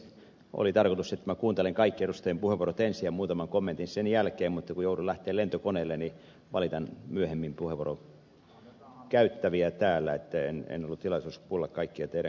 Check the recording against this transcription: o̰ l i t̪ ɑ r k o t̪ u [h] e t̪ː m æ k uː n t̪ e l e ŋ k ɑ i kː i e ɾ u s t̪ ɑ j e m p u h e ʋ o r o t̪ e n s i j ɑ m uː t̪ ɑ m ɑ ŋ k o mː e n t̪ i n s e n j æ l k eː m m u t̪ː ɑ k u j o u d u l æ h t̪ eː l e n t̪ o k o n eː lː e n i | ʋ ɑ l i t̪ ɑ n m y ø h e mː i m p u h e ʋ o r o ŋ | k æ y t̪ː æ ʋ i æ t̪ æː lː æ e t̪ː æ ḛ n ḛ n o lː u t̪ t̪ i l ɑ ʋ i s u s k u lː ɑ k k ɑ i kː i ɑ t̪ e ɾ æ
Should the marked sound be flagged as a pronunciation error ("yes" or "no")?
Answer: yes